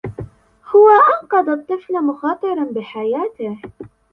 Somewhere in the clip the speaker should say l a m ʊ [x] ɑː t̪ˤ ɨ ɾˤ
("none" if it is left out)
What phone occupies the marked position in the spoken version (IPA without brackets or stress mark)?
x